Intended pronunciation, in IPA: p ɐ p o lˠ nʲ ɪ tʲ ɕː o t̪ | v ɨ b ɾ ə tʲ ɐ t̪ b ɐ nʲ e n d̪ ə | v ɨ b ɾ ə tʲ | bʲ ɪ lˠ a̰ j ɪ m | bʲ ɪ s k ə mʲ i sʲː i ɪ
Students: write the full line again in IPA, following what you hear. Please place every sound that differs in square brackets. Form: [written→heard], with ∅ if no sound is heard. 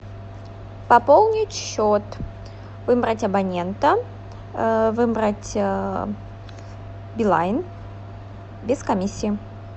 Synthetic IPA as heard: p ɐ p o lˠ nʲ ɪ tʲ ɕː o t̪ | v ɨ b ɾ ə tʲ ɐ [t̪→∅] b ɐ nʲ e n [d̪→t̪] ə | v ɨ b ɾ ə tʲ | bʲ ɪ lˠ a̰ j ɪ [m→n] | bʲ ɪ s k [ə→ɐ] mʲ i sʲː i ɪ